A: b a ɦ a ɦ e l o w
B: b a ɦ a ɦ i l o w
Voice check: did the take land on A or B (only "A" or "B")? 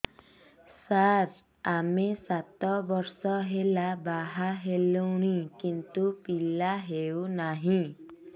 A